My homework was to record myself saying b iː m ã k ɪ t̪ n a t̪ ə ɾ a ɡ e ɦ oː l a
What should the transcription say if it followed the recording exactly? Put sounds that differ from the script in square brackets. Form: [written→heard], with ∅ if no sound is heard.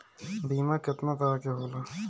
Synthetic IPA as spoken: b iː m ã k ɪ t̪ n a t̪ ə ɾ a [ɡ→k] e ɦ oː l a